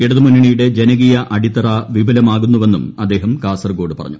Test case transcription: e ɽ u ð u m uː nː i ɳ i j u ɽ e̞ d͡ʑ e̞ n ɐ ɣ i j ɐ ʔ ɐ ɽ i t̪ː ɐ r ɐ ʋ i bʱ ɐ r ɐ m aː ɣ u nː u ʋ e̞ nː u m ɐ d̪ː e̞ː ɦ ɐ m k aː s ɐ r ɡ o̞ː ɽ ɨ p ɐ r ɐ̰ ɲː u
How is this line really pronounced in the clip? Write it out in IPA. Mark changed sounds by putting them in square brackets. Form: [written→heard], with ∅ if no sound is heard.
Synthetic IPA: e ɽ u ð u m [uː→u] nː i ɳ i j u ɽ e̞ d͡ʑ e̞ n ɐ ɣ i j ɐ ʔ ɐ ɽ i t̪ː ɐ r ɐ ʋ i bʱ ɐ [r→l] ɐ m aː ɣ u nː u ʋ e̞ nː u m ɐ d̪ː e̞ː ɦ ɐ m k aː s ɐ r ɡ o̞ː ɽ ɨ p ɐ r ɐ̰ ɲː u